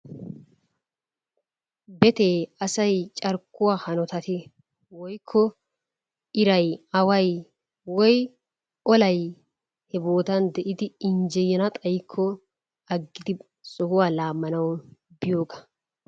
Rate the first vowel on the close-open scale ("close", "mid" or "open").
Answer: mid